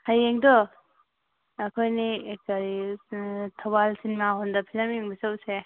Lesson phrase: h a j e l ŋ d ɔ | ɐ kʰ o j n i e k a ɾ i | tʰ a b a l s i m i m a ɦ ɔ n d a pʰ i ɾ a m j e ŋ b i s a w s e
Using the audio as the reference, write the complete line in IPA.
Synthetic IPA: h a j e ŋ d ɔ | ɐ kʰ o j n i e k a ɾ i | tʰ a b a l s i n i m a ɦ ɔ n d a pʰ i l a m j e ŋ b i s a w s e